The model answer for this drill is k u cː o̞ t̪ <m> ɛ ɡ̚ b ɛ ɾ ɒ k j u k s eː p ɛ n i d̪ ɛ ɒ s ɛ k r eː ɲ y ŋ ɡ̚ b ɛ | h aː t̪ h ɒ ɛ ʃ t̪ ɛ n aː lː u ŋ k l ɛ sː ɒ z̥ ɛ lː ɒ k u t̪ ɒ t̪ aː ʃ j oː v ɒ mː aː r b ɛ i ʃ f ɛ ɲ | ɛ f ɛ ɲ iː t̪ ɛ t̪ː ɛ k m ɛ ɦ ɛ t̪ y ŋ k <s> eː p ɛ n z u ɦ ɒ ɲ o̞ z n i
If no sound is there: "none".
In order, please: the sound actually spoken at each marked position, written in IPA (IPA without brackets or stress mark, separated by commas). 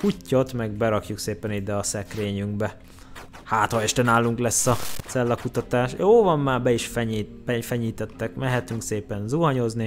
m, s